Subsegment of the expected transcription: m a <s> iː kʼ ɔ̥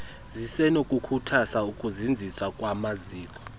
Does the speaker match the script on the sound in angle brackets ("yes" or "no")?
no